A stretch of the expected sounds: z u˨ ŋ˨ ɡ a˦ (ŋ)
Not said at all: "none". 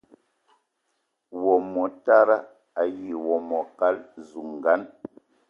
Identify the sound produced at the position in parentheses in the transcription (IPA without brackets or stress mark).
n